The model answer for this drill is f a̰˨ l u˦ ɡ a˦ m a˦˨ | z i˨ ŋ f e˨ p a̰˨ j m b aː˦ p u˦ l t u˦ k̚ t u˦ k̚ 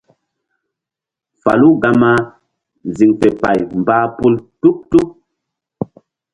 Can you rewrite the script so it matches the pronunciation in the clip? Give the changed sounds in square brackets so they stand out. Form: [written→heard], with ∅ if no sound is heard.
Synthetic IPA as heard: f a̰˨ l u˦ ɡ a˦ m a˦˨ | z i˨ ŋ f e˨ p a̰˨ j m b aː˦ p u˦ l t u˦ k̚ t u˦ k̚